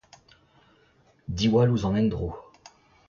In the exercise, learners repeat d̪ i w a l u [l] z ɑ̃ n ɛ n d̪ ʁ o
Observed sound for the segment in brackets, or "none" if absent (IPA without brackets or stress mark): none